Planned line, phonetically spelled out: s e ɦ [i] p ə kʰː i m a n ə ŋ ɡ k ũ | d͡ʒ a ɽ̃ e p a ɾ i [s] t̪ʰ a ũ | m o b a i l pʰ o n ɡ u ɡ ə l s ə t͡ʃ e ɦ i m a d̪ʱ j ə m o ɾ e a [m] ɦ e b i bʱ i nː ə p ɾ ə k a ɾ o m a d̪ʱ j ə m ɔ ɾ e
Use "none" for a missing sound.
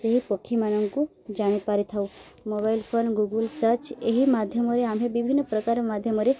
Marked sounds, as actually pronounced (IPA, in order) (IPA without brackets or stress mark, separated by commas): i, none, m